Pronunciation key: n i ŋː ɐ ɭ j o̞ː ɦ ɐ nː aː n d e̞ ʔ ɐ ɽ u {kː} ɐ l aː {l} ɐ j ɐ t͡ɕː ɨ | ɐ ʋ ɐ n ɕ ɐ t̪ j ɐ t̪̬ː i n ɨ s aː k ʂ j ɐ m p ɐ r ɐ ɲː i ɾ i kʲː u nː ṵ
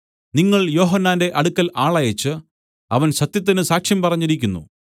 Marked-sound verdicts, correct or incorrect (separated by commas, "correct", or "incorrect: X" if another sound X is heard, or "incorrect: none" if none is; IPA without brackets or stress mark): correct, incorrect: ɭ